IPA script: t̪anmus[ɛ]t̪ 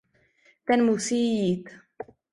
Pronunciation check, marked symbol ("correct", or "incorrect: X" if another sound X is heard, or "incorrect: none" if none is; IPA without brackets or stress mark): incorrect: i